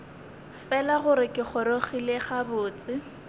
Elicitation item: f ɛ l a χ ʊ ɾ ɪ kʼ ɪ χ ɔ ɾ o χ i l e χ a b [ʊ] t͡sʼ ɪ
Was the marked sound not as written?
yes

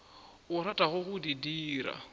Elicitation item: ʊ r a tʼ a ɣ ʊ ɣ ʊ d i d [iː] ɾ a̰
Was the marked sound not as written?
no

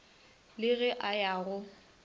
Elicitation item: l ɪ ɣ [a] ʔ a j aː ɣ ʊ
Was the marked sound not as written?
yes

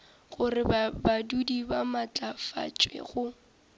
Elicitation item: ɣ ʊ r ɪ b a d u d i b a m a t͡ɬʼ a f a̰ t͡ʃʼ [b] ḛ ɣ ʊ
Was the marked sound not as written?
yes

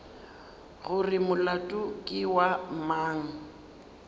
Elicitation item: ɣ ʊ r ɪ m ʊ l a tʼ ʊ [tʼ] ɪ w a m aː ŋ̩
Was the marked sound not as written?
yes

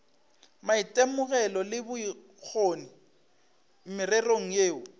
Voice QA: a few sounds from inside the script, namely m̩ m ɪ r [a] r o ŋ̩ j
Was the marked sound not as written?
yes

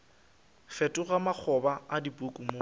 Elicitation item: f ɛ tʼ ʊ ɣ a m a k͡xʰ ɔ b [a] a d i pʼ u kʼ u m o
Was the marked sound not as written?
no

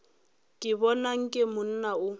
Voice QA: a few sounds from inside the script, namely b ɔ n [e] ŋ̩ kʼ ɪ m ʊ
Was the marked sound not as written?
yes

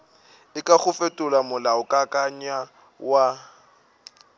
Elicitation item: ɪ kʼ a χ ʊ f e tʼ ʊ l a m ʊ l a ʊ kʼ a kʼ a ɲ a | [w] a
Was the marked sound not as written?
no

